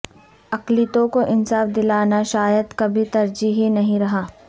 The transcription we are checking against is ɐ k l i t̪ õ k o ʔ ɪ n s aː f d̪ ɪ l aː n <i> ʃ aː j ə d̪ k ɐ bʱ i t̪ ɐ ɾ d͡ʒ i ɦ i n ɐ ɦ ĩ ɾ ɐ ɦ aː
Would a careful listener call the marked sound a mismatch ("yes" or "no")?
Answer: yes